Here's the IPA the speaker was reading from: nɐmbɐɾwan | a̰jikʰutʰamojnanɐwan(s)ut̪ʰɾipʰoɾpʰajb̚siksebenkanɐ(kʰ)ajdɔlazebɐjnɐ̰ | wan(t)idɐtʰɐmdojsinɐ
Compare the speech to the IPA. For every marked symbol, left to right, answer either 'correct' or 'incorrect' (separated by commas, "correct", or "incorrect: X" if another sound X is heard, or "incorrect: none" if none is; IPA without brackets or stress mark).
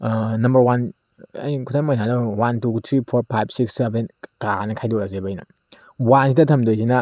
incorrect: t, correct, incorrect: s